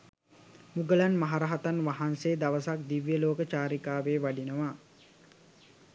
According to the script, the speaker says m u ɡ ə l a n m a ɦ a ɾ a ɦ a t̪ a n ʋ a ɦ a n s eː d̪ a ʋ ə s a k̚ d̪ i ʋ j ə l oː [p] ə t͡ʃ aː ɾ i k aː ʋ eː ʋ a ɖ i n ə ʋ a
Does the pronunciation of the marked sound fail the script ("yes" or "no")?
yes